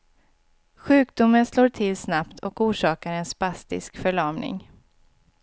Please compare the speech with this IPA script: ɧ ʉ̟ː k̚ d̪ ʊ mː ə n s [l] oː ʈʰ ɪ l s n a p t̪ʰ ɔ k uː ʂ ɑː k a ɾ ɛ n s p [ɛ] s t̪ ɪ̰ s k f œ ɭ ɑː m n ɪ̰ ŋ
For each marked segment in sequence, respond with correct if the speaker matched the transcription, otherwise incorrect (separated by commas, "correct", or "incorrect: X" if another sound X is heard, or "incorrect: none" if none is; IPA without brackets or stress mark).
correct, incorrect: a